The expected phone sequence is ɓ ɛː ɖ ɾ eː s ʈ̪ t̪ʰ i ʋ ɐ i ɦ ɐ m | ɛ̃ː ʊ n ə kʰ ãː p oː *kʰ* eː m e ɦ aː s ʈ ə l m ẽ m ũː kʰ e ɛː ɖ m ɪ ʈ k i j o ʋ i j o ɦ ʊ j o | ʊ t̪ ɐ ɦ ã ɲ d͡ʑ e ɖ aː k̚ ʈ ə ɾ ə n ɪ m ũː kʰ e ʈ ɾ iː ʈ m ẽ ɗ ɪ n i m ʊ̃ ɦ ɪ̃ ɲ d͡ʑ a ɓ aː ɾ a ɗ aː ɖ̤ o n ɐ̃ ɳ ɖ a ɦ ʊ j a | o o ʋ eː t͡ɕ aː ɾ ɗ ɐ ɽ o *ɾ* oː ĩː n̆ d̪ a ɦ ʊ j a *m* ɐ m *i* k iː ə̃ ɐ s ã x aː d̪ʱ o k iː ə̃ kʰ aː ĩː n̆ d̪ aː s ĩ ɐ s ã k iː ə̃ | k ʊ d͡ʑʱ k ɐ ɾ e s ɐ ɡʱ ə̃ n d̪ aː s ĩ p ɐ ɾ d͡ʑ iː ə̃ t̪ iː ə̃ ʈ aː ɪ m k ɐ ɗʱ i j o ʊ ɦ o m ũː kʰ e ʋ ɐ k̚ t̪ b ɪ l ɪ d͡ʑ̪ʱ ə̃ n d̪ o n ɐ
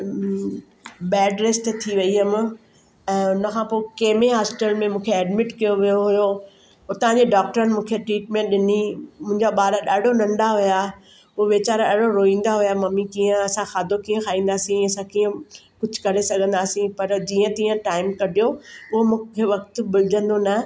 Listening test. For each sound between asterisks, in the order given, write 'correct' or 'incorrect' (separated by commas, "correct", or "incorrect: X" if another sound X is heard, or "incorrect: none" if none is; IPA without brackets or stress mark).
incorrect: k, correct, correct, correct